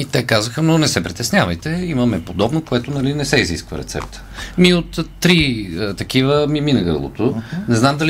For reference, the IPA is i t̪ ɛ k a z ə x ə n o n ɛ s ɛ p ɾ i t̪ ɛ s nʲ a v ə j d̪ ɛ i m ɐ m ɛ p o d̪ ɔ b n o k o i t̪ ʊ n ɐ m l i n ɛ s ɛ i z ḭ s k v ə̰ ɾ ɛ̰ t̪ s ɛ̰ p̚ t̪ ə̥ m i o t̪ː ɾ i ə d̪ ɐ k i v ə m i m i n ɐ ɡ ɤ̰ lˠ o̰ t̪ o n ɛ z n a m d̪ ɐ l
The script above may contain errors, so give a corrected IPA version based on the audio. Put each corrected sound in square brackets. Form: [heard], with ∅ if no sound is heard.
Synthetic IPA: i t̪ ɛ k a z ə x ə n o n ɛ s ɛ p ɾ i t̪ ɛ s nʲ a v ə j [t̪] ɛ i m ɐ m ɛ p o d̪ ɔ b n o k o [ɛ] t̪ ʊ n ɐ [∅] l i n ɛ s ɛ i z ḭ s k v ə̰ ɾ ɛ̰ t̪ s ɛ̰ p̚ t̪ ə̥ m i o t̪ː ɾ i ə [t̪] ɐ k i v ə m i m i n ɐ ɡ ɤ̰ lˠ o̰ t̪ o n ɛ z n a m d̪ ɐ l